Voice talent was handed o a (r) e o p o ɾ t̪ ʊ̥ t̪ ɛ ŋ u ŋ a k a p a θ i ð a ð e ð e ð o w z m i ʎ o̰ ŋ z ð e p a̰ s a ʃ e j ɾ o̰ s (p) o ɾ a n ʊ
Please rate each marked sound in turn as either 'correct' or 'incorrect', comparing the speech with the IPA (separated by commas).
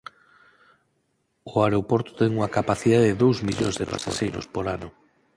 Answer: incorrect, correct